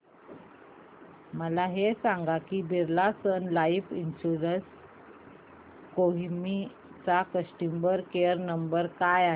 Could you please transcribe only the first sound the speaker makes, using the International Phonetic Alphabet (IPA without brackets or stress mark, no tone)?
m